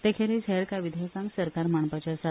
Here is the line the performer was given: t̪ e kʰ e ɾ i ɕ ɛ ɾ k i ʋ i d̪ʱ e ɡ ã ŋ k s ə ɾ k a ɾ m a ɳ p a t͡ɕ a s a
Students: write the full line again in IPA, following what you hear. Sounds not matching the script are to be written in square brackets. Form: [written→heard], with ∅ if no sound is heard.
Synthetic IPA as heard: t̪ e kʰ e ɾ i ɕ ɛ ɾ k [i→a] ʋ i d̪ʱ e [ɡ→k] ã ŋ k s ə ɾ k a ɾ m a ɳ p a t͡ɕ a s a